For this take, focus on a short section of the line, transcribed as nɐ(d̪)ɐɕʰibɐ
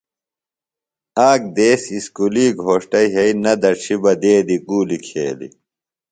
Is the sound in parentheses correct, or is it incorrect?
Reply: correct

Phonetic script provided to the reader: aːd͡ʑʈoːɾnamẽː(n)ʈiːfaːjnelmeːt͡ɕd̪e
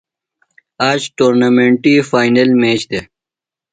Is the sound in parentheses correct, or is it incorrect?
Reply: incorrect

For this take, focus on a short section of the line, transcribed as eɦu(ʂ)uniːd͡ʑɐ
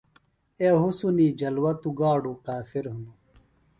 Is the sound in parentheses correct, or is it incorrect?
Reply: incorrect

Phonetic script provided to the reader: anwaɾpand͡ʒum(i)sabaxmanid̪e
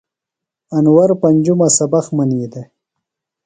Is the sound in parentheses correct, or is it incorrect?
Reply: incorrect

